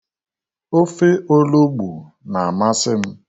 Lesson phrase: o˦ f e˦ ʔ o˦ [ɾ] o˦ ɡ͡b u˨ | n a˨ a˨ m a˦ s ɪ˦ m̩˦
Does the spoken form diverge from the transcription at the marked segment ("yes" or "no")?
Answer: yes